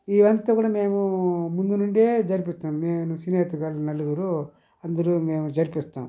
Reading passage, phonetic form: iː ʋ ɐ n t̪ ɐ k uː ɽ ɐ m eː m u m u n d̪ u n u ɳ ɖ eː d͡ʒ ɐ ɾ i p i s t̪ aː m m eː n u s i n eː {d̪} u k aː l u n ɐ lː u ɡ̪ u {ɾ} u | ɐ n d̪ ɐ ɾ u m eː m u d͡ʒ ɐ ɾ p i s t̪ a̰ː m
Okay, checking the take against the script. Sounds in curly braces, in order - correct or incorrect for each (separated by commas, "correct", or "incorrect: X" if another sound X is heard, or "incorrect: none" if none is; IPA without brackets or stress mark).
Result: incorrect: t̪, correct